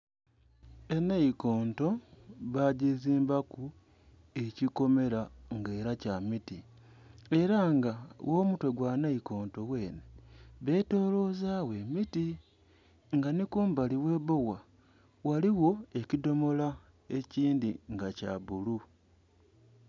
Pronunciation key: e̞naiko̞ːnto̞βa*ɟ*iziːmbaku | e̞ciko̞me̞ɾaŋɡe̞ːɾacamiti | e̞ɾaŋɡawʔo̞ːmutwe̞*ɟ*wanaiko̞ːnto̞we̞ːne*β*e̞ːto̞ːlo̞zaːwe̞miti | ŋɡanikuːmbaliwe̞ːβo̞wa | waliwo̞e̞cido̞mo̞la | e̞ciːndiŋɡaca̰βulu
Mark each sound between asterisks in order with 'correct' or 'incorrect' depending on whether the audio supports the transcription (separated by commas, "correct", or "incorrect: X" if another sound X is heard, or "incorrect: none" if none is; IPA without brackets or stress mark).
correct, incorrect: ɡ, correct